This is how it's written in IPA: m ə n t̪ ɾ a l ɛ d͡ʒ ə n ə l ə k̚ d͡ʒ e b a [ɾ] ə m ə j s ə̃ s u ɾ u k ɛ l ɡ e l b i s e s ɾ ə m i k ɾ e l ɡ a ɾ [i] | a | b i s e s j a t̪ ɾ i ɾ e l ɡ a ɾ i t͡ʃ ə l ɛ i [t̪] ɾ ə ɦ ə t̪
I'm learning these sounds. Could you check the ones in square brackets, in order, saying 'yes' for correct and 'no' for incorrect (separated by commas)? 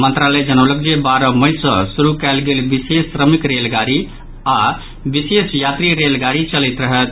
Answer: yes, yes, yes